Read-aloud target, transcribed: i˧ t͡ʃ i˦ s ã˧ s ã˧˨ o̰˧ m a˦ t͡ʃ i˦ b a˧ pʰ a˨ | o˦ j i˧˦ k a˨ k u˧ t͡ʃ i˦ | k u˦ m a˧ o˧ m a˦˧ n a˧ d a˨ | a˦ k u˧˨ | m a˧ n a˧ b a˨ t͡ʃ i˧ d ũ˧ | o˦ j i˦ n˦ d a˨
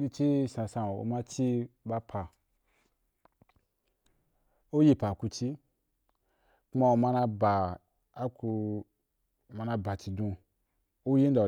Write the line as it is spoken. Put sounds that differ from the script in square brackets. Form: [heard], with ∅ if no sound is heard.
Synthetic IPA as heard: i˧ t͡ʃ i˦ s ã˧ s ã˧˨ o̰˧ m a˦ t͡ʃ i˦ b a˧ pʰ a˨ | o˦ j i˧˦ [p] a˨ k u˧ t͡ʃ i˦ | k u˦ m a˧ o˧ m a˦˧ n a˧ [b] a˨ | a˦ k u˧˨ | m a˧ n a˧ b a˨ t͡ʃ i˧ d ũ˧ | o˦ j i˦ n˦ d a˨